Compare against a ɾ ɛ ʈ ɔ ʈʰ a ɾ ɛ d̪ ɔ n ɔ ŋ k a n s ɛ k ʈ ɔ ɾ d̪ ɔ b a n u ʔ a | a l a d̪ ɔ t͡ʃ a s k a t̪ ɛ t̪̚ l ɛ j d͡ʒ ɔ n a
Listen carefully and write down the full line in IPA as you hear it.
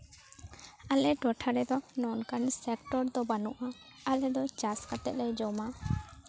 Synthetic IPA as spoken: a l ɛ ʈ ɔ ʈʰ a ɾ ɛ d̪ ɔ n ɔ n k a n s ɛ k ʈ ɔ ɾ d̪ ɔ b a n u ʔ a | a l ɛ d̪ ɔ t͡ʃ a s k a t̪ ɛ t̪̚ l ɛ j d͡ʒ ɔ m a